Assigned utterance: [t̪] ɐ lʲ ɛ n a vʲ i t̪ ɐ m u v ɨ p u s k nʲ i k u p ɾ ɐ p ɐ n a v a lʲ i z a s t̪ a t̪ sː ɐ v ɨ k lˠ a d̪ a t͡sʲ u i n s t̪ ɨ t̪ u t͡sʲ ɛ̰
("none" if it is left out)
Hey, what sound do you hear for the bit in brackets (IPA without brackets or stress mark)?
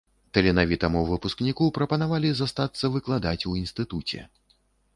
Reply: t̪